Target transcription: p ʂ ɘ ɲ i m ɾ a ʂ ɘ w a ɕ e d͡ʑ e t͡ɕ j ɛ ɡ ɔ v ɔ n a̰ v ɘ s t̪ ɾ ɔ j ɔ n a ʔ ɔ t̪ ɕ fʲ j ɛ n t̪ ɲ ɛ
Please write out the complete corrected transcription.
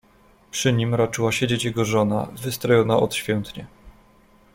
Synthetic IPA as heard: p ʂ ɘ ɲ i m ɾ a t͡ʂ ɘ w a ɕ e d͡ʑ e t͡ɕ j ɛ ɡ ɔ ʐ ɔ n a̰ v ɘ s t̪ ɾ ɔ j ɔ n a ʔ ɔ t̪ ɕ fʲ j ɛ n t̪ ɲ ɛ